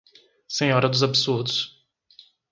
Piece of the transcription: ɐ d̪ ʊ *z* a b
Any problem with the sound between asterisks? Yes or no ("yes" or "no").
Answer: no